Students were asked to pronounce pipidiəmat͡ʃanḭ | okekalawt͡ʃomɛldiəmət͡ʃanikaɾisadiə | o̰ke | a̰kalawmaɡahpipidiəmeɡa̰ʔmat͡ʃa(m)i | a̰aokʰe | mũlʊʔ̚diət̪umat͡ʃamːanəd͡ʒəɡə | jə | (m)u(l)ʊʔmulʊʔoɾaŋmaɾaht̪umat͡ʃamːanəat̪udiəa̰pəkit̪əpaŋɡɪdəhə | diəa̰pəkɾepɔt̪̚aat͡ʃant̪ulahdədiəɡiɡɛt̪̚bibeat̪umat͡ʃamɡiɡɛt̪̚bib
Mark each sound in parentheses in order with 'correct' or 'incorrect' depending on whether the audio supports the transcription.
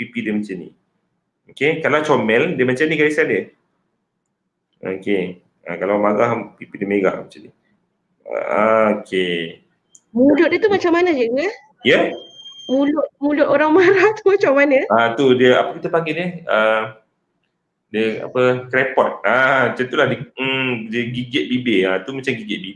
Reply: incorrect, correct, correct

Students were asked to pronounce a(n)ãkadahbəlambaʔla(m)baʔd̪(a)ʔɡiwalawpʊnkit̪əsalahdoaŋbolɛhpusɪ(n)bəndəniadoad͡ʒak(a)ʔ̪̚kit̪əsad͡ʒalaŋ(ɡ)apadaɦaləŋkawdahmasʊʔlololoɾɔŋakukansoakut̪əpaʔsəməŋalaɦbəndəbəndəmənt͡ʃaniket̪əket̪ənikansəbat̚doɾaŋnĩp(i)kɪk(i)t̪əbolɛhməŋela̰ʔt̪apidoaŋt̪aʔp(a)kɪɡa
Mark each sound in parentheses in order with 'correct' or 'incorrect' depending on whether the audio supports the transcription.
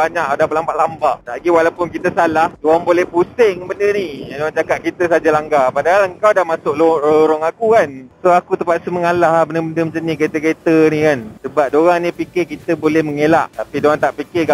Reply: incorrect, correct, correct, incorrect, correct, correct, correct, correct, incorrect

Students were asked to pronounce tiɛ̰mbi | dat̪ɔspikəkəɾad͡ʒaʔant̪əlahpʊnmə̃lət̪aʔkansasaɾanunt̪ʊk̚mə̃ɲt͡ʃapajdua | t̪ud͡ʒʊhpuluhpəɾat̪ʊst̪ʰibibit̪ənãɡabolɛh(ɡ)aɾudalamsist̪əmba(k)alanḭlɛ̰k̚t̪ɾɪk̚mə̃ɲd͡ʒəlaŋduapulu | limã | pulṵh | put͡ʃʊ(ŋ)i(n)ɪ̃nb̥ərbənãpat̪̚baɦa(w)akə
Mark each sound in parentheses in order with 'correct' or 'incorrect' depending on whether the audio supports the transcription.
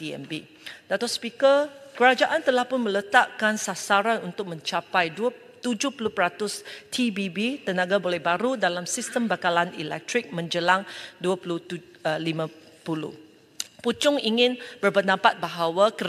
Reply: incorrect, correct, correct, incorrect, correct

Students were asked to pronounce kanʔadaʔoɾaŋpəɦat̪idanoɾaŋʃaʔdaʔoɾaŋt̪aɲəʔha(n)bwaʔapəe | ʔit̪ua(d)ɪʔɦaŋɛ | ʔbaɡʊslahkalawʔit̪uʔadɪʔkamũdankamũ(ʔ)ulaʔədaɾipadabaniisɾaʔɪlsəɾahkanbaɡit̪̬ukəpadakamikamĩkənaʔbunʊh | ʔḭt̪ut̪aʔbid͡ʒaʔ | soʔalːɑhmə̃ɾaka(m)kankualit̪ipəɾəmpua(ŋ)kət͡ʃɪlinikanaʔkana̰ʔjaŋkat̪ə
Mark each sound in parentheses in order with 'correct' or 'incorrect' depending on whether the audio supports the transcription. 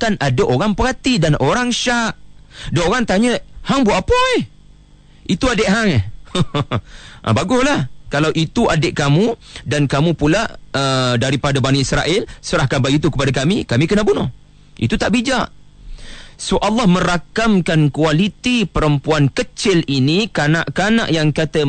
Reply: incorrect, correct, incorrect, correct, incorrect

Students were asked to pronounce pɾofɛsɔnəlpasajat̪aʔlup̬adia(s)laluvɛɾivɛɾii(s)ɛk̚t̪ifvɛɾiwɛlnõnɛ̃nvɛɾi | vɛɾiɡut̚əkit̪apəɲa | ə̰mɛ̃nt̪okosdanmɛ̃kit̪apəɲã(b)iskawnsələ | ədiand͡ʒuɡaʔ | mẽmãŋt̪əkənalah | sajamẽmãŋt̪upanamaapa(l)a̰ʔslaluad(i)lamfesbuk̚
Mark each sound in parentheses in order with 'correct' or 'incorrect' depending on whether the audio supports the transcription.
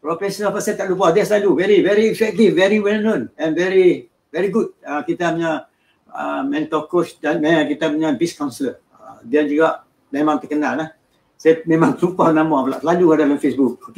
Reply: correct, incorrect, correct, correct, incorrect

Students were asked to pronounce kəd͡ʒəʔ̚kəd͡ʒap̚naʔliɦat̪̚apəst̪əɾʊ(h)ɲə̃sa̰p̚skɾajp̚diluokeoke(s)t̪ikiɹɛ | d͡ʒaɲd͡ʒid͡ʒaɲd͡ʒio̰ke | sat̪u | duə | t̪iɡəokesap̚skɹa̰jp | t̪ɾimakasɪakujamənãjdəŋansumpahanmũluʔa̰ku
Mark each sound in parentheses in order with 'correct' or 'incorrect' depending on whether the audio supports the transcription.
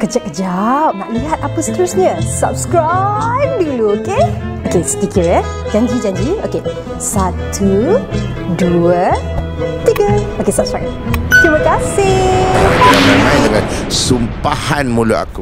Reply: incorrect, correct

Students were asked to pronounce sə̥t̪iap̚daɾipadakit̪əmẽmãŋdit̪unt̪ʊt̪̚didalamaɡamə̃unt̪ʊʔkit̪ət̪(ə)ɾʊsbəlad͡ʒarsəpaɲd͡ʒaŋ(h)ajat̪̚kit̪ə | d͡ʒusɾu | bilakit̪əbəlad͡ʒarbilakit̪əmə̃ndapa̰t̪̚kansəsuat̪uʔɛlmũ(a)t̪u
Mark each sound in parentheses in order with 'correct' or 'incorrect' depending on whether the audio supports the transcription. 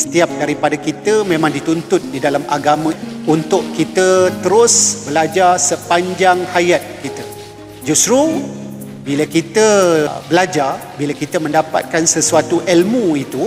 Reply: correct, correct, incorrect

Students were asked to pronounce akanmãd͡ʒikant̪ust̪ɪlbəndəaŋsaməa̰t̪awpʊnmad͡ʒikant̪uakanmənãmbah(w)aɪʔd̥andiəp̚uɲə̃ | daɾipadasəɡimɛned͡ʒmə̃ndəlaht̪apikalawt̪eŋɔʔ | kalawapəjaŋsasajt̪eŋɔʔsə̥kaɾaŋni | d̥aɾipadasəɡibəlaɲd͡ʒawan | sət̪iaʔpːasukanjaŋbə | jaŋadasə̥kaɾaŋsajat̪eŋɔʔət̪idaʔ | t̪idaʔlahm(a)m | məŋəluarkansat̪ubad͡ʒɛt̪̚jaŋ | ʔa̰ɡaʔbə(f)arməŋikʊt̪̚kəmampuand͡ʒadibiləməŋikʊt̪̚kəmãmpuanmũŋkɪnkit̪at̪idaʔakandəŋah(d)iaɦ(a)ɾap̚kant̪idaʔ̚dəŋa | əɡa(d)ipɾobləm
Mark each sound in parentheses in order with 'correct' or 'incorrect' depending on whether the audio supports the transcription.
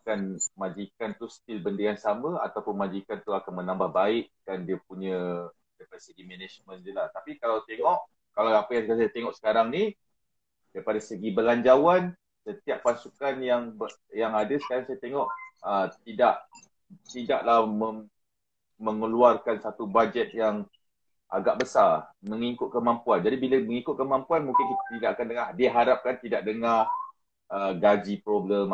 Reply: incorrect, incorrect, incorrect, correct, correct, incorrect

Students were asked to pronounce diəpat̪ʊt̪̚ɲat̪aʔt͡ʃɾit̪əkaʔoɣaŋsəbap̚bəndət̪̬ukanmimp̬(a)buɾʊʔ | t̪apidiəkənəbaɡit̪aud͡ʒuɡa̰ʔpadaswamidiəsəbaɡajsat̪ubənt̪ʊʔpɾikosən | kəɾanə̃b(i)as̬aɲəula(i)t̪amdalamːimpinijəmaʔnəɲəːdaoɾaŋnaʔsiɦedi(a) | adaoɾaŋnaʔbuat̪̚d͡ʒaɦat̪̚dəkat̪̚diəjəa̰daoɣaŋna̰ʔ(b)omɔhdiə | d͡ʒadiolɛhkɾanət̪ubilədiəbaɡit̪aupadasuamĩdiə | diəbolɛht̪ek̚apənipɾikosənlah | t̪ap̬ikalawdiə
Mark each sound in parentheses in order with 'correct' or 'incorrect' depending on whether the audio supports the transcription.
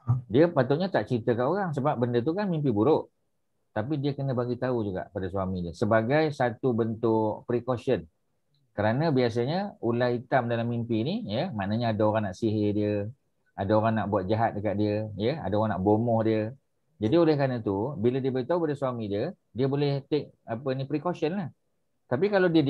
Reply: incorrect, correct, correct, incorrect, correct

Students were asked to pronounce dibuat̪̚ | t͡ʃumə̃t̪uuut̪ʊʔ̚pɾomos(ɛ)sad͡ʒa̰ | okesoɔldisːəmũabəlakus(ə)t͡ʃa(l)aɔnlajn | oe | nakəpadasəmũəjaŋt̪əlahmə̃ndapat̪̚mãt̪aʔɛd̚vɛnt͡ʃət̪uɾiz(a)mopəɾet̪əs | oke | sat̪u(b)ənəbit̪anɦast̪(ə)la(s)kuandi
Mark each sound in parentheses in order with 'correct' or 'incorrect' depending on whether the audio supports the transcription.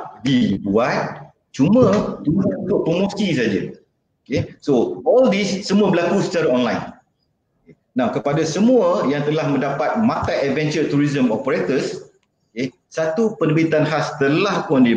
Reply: incorrect, correct, incorrect, incorrect, incorrect, correct, incorrect

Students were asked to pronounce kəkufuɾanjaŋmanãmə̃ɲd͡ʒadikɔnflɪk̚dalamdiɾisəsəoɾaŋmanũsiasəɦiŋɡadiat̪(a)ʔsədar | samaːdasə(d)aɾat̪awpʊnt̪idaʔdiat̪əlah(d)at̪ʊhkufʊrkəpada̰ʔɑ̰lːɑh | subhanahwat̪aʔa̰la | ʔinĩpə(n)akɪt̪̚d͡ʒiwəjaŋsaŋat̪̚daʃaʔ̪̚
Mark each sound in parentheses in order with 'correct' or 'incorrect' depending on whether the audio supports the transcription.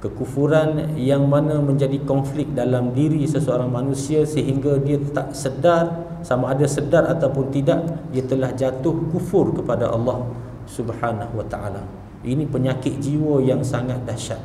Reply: correct, correct, incorrect, incorrect

